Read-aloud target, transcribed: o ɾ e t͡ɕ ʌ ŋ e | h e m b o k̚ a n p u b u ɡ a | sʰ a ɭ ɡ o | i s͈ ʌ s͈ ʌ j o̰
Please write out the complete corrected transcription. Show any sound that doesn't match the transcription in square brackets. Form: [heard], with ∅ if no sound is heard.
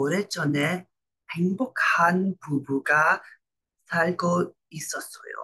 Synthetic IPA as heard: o ɾ e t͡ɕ ʌ [n] e | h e [ŋ] b o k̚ a n p u b u ɡ a | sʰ a ɭ ɡ o | i s͈ ʌ s͈ ʌ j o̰